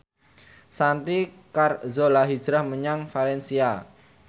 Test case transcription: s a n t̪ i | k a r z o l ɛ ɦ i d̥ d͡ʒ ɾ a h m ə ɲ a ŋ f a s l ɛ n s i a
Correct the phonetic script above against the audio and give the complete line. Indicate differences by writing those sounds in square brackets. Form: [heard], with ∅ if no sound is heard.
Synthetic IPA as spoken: s a n t̪ i | k a r z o l [a] ɦ i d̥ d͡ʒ ɾ a h m ə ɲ a ŋ f a [∅] l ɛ n s i a